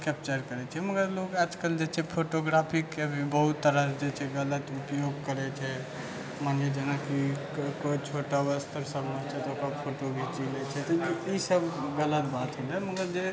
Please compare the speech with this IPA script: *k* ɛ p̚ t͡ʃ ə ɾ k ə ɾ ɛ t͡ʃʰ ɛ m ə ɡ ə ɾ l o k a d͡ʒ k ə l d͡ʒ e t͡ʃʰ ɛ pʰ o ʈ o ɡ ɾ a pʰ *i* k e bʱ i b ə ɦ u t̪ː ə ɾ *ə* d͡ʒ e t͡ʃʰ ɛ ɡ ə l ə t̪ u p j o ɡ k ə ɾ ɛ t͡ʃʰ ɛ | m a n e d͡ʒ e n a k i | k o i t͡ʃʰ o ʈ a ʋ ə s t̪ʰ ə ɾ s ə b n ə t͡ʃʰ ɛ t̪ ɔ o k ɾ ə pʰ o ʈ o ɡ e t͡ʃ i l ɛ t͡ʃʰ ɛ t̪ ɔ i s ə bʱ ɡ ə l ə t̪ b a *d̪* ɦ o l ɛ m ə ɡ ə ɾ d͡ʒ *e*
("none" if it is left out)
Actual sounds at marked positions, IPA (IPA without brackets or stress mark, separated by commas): k, i, ə, t̪, e